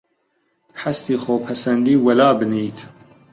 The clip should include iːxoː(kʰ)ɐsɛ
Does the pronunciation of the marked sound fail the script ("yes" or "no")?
yes